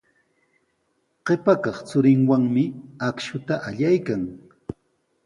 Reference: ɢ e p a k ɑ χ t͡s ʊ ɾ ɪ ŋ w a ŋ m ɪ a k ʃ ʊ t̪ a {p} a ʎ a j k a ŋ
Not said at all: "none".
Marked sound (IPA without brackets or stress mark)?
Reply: ʔ